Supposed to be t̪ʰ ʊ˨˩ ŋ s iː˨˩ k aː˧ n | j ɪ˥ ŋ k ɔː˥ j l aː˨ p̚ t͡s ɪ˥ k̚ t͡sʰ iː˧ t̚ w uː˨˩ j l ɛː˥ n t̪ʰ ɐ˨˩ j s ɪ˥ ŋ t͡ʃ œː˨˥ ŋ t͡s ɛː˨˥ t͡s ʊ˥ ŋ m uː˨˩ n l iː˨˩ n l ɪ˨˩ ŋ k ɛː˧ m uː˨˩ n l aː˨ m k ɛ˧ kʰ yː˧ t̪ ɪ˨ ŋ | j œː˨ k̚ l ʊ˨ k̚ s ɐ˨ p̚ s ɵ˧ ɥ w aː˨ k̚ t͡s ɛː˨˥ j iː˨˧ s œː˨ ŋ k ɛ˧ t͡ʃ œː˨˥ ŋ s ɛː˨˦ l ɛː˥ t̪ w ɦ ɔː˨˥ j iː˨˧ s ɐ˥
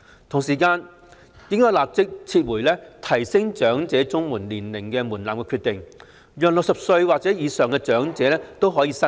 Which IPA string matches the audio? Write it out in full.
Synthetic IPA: t̪ʰ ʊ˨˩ ŋ s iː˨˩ k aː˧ n | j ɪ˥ ŋ k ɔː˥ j l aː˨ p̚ t͡s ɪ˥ k̚ t͡sʰ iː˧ t̚ w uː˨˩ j l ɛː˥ t̪ʰ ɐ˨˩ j s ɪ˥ ŋ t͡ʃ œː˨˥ ŋ t͡s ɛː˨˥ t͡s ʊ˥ ŋ m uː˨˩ n l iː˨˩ n l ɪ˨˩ ŋ k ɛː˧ m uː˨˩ n l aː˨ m k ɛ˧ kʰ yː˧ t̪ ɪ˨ ŋ | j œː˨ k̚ l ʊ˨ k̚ s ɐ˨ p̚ s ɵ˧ ɥ w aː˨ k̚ t͡s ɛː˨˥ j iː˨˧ s œː˨ ŋ k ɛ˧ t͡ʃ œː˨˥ ŋ t͡s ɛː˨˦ l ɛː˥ t̪ w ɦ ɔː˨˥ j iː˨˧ s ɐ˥